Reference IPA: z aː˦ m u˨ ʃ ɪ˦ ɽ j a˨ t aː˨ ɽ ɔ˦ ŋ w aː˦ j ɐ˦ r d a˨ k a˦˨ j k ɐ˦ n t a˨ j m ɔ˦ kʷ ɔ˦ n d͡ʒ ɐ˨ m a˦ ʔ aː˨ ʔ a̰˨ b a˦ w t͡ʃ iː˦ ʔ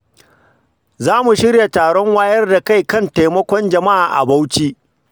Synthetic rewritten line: z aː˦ m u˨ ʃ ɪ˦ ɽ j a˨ t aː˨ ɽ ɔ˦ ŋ w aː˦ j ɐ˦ r d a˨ k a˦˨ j k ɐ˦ n t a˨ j m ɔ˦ kʷ ɔ˦ n d͡ʒ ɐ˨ m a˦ ʔ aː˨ ʔ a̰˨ b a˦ w t͡ʃ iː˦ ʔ